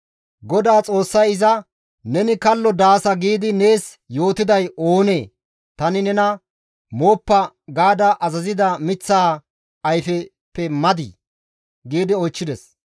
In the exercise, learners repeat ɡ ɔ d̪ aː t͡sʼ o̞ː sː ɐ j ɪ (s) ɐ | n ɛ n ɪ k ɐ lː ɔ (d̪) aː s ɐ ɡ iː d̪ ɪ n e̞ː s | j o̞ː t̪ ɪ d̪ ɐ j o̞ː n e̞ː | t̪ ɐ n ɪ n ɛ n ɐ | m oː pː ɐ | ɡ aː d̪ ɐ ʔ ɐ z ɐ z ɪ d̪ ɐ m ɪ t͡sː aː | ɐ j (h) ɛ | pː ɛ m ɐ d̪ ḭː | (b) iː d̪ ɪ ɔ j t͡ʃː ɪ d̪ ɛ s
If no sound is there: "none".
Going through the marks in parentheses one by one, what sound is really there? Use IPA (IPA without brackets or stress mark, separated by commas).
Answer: z, d̪, f, ɡ